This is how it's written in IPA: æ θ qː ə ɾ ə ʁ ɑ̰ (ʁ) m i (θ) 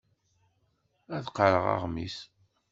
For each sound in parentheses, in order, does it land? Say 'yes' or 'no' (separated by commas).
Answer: yes, no